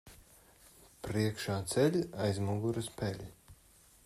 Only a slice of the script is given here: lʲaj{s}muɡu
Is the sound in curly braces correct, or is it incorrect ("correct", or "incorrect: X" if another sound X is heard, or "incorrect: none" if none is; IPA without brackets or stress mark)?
incorrect: z